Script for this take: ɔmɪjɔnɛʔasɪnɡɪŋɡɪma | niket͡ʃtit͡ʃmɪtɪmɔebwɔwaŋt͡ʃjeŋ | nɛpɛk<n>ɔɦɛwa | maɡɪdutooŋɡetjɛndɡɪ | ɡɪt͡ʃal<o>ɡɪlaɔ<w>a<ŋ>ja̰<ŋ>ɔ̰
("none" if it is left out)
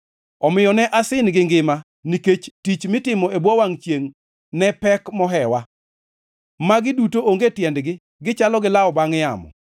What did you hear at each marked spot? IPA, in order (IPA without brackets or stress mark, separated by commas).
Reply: m, ɔ, b, ŋ, m